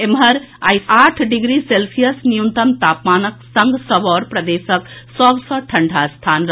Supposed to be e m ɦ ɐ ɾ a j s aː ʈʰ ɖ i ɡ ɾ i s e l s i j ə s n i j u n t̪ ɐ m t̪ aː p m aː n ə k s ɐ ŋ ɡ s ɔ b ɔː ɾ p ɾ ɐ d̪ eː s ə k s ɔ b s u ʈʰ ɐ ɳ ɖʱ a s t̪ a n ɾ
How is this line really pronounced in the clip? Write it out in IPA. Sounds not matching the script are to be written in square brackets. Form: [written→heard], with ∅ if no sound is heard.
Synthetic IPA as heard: e m ɦ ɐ ɾ a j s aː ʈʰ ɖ i ɡ ɾ i s e l s i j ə s n i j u n t̪ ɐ m t̪ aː p m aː n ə k s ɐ ŋ ɡ s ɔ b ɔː ɾ p ɾ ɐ d̪ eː s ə k s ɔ b s [u→ɔ] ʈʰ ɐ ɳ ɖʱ a s [t̪→t̪ʰ] a n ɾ

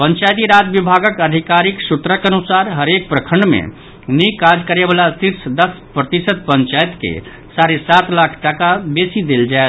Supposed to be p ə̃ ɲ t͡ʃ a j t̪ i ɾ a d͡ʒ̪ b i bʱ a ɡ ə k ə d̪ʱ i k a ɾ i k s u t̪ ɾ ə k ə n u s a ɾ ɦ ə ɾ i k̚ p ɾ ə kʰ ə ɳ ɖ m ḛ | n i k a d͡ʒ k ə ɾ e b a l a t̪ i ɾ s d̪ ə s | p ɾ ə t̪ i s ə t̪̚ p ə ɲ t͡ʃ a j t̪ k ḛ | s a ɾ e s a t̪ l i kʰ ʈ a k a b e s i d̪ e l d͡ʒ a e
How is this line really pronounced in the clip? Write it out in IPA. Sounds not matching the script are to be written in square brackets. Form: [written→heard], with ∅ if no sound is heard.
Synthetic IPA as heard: p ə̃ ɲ t͡ʃ a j t̪ i ɾ a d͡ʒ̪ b i bʱ a ɡ ə k ə d̪ʱ i k a ɾ i k s u t̪ ɾ ə k ə n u s a ɾ ɦ ə ɾ [i→e] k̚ p ɾ ə kʰ ə ɳ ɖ m ḛ | n i k a d͡ʒ k ə ɾ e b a l a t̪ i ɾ s d̪ ə s | p ɾ ə t̪ i s ə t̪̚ p ə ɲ t͡ʃ a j t̪ k ḛ | s a ɾ e s a t̪ l [i→a] kʰ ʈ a k a b e s i d̪ e l d͡ʒ a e

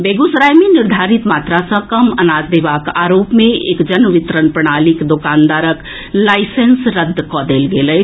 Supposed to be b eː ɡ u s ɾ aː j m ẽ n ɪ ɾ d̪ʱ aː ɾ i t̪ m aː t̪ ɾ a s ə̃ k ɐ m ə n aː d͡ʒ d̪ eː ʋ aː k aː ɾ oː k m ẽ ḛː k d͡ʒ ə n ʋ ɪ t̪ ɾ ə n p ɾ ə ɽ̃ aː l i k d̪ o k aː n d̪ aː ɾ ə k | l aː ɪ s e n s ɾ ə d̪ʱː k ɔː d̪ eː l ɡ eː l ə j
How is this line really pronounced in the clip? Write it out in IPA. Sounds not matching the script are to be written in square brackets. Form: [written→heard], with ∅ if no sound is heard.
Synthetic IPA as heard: b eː ɡ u s ɾ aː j m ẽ n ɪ ɾ d̪ʱ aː ɾ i t̪ m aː t̪ ɾ a s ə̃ k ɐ m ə n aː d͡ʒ d̪ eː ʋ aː k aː ɾ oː [k→p] m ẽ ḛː k d͡ʒ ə n ʋ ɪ t̪ ɾ ə n p ɾ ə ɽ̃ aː l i k d̪ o k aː n d̪ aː ɾ ə k | l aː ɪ s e n s ɾ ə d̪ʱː k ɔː d̪ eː l ɡ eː l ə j

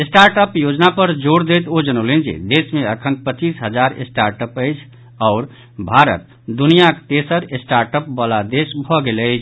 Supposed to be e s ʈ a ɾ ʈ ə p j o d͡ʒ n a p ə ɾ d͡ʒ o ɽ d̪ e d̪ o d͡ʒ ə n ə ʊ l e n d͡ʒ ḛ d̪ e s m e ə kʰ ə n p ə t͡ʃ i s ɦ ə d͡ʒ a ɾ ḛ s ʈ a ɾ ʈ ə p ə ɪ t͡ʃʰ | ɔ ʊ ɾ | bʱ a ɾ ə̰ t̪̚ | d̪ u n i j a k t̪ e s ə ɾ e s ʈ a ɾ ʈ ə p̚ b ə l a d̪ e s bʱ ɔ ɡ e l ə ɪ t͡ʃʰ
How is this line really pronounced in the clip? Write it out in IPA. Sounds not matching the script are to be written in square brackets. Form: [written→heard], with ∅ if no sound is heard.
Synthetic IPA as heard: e s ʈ a ɾ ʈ ə p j o d͡ʒ n a p ə ɾ d͡ʒ o ɽ d̪ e [d̪→t̪] o d͡ʒ ə n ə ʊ l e n d͡ʒ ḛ d̪ e s m e ə kʰ ə n p ə t͡ʃ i s ɦ ə d͡ʒ a ɾ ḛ s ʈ a ɾ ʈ ə p ə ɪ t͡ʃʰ | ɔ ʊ ɾ | bʱ a ɾ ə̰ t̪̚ | d̪ u n i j a k t̪ e s ə ɾ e s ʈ a ɾ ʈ ə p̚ b ə l a d̪ e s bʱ ɔ ɡ e l ə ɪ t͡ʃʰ

